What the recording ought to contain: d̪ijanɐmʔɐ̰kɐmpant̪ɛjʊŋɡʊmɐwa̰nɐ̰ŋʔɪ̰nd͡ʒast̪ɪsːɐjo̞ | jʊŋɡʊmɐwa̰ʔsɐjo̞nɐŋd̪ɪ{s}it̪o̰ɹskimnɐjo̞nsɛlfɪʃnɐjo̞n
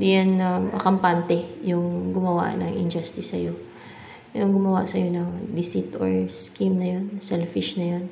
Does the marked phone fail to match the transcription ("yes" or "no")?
no